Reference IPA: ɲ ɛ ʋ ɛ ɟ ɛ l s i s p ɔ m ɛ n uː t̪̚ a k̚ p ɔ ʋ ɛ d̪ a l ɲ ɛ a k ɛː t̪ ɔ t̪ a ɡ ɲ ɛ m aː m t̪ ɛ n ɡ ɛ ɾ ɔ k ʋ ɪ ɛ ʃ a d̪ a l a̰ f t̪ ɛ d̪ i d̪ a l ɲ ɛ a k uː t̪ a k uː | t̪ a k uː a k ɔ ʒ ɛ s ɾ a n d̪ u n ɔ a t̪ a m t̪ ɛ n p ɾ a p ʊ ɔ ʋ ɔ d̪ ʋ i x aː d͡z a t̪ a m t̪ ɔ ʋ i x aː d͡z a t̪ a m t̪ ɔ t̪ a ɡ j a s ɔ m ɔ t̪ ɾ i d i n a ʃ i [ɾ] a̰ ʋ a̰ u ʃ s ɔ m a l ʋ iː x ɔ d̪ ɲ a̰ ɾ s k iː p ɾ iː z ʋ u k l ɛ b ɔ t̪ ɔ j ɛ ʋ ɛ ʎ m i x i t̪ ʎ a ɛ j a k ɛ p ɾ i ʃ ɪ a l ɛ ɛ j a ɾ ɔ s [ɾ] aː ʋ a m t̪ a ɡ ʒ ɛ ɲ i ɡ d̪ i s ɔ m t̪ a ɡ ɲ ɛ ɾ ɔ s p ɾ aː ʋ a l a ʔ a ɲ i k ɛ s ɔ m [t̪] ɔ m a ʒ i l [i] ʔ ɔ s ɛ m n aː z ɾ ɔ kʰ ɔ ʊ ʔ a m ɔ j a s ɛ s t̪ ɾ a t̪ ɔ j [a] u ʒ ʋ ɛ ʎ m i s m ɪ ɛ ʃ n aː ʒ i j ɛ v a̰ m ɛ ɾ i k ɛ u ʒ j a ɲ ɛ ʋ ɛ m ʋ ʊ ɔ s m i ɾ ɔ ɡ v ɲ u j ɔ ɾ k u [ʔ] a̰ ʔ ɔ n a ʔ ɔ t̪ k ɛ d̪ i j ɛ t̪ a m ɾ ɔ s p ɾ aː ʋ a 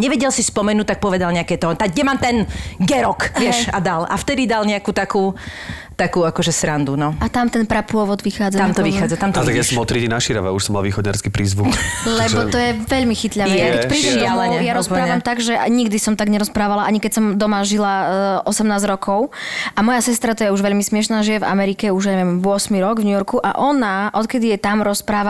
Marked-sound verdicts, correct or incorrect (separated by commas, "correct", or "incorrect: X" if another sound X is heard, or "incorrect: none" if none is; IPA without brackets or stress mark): correct, correct, incorrect: d̪, incorrect: a, incorrect: ɛ, correct